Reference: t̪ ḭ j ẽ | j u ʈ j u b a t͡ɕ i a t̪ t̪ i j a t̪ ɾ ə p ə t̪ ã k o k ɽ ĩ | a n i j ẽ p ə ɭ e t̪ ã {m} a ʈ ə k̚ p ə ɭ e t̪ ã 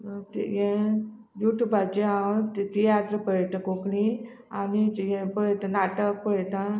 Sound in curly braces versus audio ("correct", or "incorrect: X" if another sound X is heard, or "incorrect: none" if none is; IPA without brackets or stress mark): incorrect: n